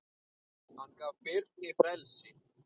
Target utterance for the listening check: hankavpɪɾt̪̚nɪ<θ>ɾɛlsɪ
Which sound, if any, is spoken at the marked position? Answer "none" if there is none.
f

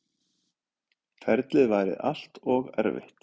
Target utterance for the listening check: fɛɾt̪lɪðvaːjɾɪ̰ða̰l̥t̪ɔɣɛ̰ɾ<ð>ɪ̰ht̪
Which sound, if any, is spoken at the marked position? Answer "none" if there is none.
v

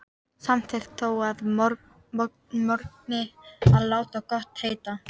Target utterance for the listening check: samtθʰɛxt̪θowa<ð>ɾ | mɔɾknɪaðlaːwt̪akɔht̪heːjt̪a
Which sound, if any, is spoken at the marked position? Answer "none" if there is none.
ð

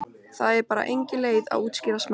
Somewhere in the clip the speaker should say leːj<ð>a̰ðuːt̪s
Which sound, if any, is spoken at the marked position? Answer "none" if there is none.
ð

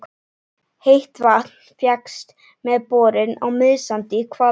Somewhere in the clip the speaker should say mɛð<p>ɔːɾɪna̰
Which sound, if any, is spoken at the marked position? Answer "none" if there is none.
p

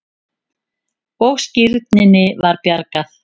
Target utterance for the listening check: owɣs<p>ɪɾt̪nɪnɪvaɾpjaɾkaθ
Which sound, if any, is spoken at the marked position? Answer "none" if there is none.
c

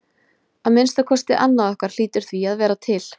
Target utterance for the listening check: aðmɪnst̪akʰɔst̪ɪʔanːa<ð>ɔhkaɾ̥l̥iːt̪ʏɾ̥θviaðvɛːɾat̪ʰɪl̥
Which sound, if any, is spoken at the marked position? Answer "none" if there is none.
ð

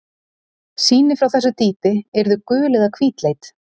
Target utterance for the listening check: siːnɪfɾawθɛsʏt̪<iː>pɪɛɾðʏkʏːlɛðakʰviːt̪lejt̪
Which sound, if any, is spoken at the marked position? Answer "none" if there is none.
iː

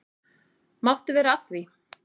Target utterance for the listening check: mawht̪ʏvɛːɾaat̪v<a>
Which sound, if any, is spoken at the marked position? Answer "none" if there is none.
i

